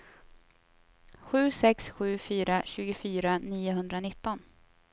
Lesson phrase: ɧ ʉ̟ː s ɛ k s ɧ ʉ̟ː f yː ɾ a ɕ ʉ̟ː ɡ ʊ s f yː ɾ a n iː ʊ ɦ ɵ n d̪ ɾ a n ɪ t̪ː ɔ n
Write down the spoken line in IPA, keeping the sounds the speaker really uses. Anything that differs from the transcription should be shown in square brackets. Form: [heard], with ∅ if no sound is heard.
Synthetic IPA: ɧ ʉ̟ː s ɛ k s ɧ ʉ̟ː f yː ɾ a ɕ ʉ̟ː ɡ ʊ [∅] f yː ɾ a n iː ʊ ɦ ɵ n d̪ ɾ a n ɪ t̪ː ɔ n